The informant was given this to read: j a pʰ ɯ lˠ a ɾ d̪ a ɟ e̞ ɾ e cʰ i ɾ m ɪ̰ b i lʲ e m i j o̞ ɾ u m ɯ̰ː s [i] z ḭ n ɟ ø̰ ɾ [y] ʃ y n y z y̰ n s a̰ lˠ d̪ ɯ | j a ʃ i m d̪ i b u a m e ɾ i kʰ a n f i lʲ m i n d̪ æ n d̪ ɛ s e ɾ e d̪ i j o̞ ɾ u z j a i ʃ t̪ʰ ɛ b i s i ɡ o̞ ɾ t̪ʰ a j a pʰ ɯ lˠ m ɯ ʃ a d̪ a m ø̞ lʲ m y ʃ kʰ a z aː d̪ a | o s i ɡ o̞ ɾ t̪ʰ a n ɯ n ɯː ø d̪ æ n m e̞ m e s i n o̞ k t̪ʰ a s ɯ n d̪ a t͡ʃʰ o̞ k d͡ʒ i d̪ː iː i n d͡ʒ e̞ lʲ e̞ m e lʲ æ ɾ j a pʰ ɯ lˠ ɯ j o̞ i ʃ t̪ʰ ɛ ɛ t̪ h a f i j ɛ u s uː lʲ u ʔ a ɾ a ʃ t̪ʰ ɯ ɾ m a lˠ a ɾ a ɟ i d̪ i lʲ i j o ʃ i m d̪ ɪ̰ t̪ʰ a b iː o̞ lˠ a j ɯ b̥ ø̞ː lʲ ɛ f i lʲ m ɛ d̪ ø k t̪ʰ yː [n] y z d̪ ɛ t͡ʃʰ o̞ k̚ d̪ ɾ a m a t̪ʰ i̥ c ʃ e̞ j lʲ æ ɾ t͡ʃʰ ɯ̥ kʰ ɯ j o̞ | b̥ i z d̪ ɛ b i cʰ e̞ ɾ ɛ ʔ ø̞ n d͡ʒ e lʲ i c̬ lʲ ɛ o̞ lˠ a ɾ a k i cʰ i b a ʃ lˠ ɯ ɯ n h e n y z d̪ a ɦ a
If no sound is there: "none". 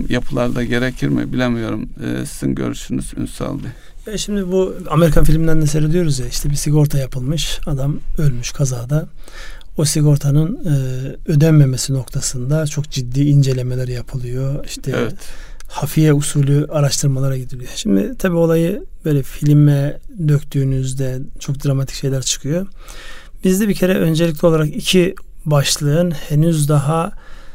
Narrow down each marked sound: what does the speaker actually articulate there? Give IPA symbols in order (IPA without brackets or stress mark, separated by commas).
i, y, n